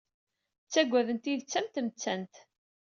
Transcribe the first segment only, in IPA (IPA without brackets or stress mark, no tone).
t͡sː